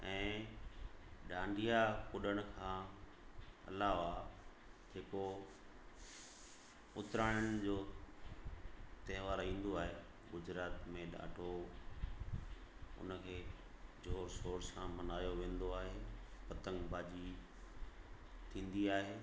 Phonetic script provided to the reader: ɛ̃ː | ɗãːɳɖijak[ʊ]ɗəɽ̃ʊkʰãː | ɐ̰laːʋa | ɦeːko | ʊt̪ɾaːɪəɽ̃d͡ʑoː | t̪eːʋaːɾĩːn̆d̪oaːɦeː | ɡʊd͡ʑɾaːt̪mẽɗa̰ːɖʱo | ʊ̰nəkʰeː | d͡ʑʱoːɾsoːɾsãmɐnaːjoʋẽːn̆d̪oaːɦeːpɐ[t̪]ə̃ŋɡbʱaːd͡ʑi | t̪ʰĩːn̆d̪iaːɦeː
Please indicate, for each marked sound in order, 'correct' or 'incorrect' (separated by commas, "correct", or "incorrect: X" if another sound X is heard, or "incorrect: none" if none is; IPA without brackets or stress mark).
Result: correct, correct